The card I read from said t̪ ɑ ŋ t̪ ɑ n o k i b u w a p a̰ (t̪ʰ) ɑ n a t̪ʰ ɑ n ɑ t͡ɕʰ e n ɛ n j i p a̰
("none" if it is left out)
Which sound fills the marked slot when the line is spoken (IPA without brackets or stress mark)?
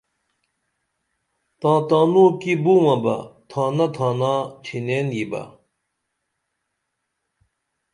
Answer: t̪ʰ